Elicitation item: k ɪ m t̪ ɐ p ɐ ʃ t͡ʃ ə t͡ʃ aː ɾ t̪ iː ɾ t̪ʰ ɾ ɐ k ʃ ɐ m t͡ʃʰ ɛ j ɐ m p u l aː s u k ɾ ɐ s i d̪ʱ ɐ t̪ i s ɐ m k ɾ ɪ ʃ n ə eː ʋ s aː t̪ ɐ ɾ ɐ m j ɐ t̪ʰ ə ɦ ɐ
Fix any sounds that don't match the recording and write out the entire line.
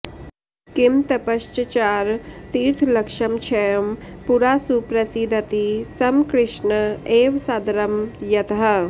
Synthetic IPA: k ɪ m t̪ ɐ p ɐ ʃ t͡ʃ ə t͡ʃ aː ɾ t̪ iː ɾ t̪ʰ l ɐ k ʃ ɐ m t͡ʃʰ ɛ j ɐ m p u ɾ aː s u p ɾ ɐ s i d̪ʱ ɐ t̪ i s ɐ m k ɾ ɪ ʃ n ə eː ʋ s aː d̪ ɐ ɾ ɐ m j ɐ t̪ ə ɦ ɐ